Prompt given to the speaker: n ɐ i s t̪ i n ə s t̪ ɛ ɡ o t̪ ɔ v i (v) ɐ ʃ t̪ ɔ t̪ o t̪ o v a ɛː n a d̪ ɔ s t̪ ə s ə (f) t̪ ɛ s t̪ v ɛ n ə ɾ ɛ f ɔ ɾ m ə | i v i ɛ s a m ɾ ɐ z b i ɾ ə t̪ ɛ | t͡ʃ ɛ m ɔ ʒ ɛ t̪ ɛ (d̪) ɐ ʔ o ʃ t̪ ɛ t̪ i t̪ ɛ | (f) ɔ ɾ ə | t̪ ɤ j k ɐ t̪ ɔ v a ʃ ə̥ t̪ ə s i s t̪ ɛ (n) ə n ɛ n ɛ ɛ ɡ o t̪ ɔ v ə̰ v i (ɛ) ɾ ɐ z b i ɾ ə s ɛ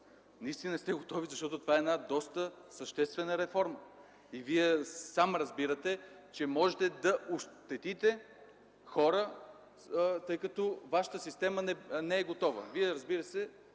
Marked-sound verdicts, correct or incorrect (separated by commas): incorrect, incorrect, correct, incorrect, incorrect, correct